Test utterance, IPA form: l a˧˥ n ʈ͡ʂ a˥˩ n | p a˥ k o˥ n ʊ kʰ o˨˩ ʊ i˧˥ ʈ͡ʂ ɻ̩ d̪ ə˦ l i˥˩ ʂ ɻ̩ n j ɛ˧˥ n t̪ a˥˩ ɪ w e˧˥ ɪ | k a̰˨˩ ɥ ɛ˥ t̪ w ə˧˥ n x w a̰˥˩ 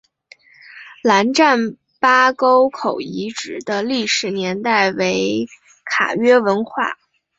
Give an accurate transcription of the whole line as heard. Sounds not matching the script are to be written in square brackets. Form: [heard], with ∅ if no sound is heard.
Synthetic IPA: l a˧˥ n ʈ͡ʂ a˥˩ n | p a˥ k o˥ [∅] ʊ kʰ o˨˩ ʊ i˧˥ ʈ͡ʂ ɻ̩ d̪ ə˦ l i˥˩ ʂ ɻ̩ n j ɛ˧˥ n t̪ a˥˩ ɪ w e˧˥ ɪ | [kʰ] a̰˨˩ ɥ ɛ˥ [∅] w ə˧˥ n x w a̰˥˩